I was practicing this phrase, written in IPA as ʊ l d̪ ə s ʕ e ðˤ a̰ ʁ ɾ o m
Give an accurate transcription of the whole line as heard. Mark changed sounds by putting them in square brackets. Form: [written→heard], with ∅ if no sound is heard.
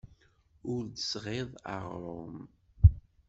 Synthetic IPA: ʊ [l→ɾ] d̪ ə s [ʕ→ʁ] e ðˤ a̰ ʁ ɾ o m